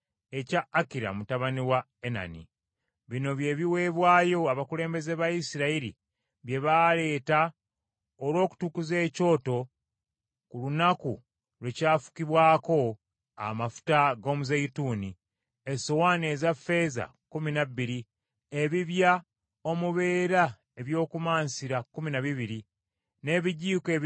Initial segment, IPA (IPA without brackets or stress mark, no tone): e̞